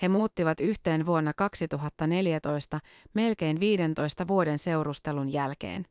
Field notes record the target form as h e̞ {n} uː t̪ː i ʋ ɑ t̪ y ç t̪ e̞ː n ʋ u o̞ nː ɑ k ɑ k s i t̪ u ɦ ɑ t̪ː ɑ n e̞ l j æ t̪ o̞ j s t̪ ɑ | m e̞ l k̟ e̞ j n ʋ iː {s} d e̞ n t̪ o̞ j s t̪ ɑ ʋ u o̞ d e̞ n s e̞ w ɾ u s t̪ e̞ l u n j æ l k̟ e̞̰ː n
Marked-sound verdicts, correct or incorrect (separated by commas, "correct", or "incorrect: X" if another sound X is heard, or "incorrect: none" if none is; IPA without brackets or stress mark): incorrect: m, incorrect: none